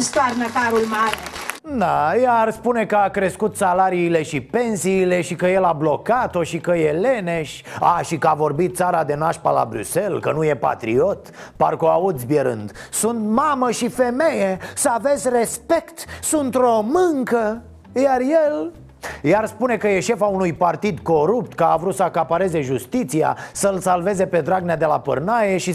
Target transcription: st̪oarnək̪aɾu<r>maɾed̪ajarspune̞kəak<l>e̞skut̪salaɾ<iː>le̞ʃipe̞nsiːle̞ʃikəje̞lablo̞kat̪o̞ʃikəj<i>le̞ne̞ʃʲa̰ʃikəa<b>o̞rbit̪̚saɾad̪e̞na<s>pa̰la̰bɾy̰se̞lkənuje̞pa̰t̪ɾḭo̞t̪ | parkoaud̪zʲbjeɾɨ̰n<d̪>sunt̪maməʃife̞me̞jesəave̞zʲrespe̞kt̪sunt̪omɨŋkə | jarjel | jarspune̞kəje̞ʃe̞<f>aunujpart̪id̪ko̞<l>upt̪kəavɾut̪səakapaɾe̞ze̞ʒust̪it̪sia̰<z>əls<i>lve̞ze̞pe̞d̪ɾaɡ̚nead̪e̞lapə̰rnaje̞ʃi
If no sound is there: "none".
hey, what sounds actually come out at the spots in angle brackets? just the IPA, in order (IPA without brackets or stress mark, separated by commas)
l, ɾ, iː, e, v, ʃ, d̪, f, ɾ, s, a